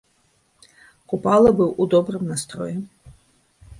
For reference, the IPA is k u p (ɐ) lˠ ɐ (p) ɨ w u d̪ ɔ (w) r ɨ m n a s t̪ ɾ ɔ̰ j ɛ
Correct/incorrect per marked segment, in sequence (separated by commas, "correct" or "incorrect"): incorrect, incorrect, incorrect